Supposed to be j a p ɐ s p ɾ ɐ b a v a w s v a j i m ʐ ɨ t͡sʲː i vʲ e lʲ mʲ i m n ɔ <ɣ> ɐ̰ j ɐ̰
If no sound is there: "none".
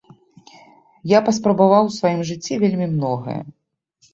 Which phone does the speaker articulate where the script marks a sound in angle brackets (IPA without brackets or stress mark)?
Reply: ɣ